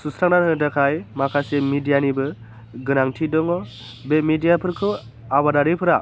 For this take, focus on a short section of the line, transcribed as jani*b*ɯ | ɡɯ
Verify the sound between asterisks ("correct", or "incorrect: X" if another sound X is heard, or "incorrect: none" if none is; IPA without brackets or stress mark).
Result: correct